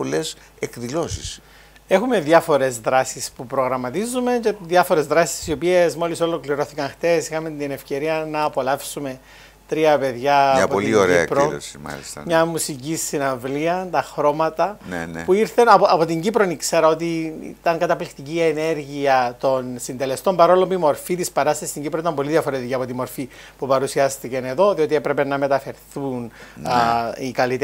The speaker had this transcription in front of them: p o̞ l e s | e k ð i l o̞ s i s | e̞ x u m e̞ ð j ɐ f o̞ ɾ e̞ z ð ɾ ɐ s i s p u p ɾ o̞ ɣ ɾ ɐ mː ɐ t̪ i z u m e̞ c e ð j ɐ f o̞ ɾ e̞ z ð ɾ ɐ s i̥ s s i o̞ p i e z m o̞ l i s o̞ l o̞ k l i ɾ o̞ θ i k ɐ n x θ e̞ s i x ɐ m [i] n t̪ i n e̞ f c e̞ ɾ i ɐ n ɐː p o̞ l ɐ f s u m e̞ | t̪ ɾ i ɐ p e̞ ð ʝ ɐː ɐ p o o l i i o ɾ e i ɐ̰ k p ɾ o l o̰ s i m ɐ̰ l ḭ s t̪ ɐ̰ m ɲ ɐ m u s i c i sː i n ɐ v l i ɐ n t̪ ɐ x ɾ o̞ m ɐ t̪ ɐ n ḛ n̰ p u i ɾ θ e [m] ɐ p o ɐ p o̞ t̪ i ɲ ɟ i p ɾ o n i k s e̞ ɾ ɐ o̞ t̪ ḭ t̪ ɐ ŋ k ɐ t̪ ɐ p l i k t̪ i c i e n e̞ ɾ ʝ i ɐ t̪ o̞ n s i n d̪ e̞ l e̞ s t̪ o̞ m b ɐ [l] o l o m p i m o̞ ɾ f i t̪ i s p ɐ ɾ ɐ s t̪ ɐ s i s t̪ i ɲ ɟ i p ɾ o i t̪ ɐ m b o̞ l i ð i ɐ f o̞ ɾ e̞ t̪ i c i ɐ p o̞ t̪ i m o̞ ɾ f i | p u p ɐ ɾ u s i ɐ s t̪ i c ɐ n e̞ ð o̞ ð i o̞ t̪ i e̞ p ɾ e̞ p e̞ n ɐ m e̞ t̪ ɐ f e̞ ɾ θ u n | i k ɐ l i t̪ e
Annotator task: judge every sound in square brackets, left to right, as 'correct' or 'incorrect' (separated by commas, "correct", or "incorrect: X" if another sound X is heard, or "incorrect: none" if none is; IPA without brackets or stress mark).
incorrect: e, incorrect: n, incorrect: ɾ